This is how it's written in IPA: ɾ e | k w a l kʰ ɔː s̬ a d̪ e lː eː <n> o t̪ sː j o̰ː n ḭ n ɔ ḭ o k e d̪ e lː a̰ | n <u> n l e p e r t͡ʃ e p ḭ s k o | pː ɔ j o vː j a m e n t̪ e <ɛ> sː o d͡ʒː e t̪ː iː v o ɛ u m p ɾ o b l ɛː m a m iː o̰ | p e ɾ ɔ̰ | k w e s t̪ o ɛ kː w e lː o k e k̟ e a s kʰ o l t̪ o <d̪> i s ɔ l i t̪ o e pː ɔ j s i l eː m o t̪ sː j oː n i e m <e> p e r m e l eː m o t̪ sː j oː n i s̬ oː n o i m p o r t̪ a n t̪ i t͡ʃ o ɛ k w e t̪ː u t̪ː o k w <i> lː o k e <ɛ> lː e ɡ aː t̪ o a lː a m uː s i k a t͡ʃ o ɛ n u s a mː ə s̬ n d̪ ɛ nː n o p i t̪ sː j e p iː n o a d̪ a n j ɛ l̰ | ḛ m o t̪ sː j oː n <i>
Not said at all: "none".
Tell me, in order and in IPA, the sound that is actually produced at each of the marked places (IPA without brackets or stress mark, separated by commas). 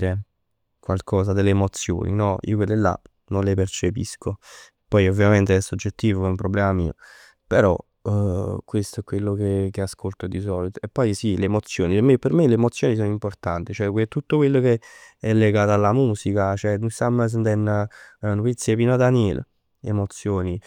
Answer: m, o, ɛ, d̪, e, e, ɛ, i